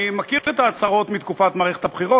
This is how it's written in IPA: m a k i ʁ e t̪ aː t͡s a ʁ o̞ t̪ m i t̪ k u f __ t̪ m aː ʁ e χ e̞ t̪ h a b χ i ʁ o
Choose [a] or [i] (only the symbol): a